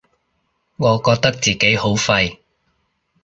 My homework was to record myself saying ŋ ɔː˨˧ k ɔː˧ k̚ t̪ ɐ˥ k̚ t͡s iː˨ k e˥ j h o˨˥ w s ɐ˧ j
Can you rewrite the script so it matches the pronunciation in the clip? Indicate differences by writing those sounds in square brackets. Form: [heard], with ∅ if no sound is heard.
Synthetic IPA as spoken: ŋ ɔː˨˧ k ɔː˧ k̚ t̪ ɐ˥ k̚ t͡s iː˨ k [e˨˥] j h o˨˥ w [f] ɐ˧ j